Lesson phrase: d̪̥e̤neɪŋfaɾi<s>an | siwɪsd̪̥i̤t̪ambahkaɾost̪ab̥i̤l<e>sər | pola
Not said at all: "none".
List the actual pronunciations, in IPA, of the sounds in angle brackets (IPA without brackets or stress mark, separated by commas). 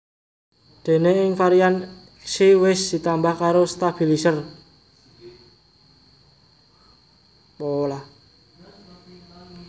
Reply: none, i